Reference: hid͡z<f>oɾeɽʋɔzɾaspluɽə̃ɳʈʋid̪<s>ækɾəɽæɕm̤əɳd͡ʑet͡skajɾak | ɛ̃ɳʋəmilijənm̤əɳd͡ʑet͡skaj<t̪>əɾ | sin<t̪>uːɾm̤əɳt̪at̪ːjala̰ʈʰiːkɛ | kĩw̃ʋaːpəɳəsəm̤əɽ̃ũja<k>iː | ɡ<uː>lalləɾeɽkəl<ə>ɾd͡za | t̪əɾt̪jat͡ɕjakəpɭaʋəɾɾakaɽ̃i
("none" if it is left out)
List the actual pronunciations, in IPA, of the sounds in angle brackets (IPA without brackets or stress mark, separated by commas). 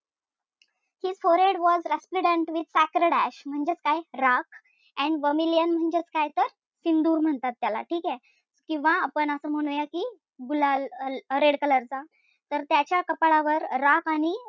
f, s, t̪, d̪, k, u, ə